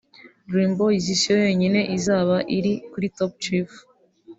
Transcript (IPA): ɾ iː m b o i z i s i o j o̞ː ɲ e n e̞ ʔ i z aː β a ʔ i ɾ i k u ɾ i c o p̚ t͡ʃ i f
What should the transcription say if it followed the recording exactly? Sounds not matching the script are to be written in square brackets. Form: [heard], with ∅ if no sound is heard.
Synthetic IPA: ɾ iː m b o i z i s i o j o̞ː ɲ [i] n e̞ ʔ i z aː β a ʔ i ɾ i k u ɾ i [t] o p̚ t͡ʃ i f